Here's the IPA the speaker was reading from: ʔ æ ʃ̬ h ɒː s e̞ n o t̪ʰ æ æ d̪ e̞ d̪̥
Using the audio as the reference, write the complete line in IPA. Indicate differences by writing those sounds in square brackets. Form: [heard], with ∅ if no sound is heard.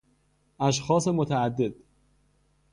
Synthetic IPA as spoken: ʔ æ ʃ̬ [x] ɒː s e̞ [m] o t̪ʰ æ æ [d̪ː] e̞ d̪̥